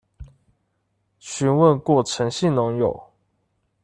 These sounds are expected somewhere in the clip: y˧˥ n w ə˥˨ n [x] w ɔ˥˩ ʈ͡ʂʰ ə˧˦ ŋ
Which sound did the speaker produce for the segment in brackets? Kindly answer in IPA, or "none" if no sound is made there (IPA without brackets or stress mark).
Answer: k